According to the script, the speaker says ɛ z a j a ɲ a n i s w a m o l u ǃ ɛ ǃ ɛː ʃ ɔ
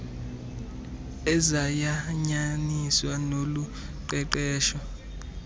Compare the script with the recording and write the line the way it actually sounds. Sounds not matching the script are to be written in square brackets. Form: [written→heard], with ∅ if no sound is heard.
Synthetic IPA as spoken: ɛ z a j a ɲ a n i s w a [m→n] o l u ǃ ɛ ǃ ɛː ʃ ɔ